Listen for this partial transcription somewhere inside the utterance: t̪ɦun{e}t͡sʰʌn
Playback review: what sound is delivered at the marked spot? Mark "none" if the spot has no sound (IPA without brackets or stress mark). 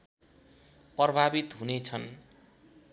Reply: e